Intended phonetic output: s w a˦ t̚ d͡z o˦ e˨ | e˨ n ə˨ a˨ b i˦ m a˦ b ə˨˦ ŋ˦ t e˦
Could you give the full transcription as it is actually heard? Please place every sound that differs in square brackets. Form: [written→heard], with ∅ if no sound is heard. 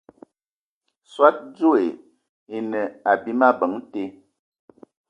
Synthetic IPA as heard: s w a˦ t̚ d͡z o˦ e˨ | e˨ n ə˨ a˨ b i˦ m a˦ b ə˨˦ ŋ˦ t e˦